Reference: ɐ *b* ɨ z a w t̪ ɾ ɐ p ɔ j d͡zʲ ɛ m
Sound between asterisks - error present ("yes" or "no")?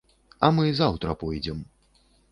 yes